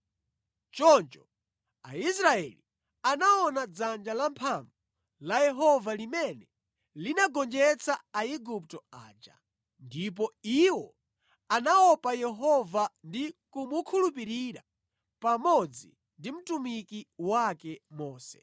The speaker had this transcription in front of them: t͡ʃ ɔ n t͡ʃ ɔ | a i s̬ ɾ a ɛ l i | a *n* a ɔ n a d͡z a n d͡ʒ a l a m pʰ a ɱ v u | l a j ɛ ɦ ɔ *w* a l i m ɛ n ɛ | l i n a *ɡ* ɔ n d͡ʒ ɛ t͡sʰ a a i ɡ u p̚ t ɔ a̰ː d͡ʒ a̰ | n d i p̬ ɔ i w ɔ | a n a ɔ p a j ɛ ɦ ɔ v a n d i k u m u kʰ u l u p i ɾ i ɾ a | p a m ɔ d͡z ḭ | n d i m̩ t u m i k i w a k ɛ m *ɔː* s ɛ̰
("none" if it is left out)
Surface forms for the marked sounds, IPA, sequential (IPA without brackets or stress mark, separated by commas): n, v, ɡ, ɔː